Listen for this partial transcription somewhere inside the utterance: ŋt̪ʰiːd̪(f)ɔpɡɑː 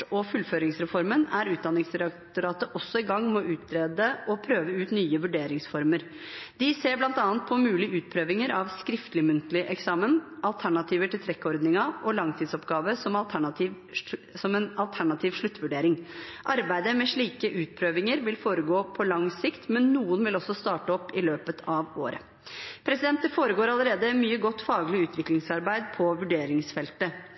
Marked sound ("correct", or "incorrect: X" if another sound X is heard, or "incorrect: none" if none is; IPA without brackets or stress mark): incorrect: s